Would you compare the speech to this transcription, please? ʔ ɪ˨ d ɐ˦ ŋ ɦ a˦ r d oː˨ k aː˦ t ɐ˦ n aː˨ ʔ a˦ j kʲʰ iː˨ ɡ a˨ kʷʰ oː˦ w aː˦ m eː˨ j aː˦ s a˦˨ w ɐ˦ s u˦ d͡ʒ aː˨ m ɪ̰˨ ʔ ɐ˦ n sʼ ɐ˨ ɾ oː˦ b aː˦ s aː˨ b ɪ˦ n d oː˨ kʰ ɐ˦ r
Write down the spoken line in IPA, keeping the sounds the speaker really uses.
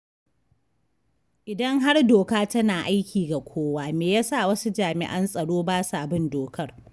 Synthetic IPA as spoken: ʔ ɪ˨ d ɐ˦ ŋ ɦ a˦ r d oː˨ k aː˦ t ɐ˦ n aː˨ ʔ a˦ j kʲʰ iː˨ ɡ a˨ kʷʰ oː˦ w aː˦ m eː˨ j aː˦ s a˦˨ w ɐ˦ s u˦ d͡ʒ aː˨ m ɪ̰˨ ʔ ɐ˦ n sʼ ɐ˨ ɽ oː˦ b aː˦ s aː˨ b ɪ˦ n d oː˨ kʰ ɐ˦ r